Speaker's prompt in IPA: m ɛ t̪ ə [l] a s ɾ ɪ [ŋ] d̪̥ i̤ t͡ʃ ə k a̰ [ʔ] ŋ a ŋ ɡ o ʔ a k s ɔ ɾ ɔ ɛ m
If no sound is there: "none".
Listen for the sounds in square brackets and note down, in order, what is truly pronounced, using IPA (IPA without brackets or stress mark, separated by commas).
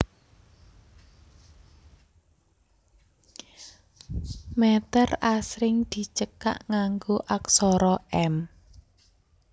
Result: r, ŋ, ʔ